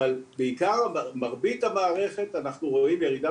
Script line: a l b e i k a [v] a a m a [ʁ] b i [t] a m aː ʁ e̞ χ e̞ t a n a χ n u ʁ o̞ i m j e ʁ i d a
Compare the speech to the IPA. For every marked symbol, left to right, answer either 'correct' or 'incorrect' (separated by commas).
incorrect, correct, correct